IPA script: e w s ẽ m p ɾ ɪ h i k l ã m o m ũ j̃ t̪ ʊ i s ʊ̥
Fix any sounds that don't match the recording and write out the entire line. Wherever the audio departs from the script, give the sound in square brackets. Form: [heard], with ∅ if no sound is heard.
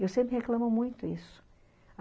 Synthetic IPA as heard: e w s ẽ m p ɾ ɪ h [e] k l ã m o m ũ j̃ t̪ ʊ i s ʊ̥